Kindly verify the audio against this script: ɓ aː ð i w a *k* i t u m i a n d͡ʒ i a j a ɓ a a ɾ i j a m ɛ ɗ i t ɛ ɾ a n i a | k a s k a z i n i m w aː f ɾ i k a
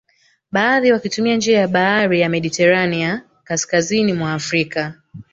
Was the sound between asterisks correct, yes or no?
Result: yes